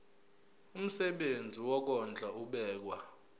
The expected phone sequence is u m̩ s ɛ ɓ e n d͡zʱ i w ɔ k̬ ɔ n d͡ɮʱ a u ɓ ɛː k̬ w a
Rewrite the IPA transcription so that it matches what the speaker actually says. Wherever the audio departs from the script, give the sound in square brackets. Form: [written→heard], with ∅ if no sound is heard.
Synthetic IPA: u m̩ s ɛ ɓ e n d͡zʱ i w ɔ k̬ ɔ n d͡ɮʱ a u ɓ ɛː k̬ w a